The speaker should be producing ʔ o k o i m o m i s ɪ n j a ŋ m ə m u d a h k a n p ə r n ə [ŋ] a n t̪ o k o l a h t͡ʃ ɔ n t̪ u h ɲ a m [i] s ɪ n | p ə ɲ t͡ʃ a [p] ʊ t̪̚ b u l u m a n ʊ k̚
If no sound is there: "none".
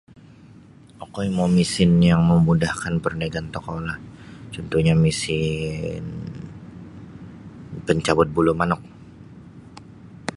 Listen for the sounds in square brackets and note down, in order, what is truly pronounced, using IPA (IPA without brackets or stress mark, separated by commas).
ɡ, i, b